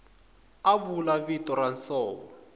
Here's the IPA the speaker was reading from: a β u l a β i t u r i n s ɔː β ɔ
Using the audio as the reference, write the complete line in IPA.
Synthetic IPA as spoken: a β u l a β i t ɔ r a n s ɔː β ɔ